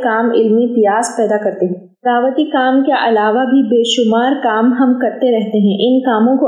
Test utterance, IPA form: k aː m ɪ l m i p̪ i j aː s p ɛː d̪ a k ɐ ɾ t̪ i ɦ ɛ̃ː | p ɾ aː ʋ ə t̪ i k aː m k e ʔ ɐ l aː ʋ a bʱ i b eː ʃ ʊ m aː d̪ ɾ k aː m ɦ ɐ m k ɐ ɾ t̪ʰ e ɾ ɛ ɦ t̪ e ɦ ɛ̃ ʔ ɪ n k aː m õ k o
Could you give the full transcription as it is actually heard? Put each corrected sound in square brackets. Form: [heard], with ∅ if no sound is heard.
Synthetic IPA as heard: k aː m ɪ l m i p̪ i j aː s p ɛː d̪ a k ɐ ɾ t̪ [e] ɦ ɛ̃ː | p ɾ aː ʋ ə t̪ i k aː m k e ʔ ɐ l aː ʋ a bʱ i b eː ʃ ʊ m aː [∅] ɾ k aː m ɦ ɐ m k ɐ ɾ [t̪] e ɾ ɛ ɦ t̪ e ɦ ɛ̃ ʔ ɪ n k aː m õ k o